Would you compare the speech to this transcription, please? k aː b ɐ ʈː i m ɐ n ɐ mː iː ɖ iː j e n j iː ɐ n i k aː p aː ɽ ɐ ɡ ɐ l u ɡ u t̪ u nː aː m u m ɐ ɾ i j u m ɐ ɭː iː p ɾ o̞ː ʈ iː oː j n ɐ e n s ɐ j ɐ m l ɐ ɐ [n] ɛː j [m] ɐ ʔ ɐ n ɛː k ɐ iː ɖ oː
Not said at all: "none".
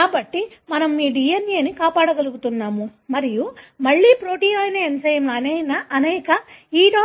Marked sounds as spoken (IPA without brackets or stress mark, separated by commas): n, n